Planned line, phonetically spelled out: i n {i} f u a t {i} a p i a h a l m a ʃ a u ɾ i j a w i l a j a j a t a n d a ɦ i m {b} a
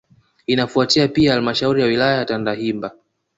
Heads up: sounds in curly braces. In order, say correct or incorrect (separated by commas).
incorrect, correct, correct